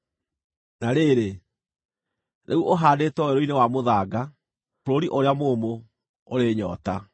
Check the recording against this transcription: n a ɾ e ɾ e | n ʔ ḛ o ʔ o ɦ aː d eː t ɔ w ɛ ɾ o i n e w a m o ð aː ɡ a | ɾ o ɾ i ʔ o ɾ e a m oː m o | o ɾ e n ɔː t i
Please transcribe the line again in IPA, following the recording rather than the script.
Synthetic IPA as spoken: n a ɾ e ɾ e | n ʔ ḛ u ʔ o ɦ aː d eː t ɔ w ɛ ɾ o i n e w a m o ð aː ɡ a | ɾ o ɾ i ʔ o ɾ e a m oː m o | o ɾ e ɲ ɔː t a